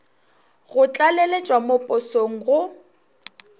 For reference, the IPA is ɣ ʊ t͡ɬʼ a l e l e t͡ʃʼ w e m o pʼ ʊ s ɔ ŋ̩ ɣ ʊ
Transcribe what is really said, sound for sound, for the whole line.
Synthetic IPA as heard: ɣ ʊ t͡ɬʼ a l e l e t͡ʃʼ w a m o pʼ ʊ s o ŋ̩ ɣ ʊ